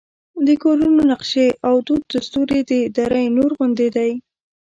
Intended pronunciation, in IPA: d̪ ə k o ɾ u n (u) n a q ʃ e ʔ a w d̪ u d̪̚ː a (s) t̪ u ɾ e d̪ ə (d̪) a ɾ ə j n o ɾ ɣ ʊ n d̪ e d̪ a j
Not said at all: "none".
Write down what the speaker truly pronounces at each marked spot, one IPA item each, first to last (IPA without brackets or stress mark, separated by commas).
o, s, d̪